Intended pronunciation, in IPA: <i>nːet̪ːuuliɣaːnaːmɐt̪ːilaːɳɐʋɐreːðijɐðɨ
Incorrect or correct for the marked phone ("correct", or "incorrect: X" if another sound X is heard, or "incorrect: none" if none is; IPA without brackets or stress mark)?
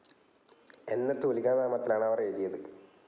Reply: incorrect: e